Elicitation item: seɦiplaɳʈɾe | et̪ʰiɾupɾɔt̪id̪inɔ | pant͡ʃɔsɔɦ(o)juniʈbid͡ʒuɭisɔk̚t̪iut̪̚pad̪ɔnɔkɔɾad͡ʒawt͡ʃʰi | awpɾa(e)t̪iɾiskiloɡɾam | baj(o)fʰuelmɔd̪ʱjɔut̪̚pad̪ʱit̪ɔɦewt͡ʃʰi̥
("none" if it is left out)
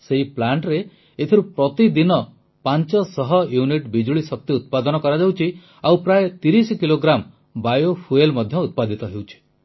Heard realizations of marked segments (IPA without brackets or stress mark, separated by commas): ɔ, e, o